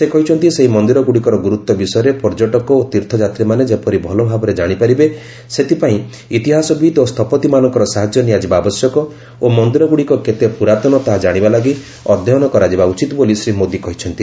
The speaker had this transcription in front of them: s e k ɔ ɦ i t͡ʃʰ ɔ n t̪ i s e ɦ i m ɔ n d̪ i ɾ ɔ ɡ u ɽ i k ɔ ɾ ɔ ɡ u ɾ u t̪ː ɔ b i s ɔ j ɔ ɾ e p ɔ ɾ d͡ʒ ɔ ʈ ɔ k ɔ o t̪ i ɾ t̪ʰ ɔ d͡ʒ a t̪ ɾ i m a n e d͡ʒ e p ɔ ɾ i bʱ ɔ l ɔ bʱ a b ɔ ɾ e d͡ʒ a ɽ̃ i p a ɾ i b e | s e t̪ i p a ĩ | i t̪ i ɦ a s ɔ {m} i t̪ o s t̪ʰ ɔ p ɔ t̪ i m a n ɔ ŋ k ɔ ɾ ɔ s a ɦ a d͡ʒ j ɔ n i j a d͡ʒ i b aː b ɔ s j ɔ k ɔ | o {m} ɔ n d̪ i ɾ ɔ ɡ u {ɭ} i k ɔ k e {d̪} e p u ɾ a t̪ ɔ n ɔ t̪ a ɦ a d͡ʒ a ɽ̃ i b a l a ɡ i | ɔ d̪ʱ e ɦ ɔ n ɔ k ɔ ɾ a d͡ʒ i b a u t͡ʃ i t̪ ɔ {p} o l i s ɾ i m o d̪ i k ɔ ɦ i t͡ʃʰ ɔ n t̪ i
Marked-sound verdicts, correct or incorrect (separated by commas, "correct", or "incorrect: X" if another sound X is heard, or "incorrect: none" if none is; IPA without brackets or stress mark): incorrect: b, correct, incorrect: ɽ, incorrect: t̪, incorrect: b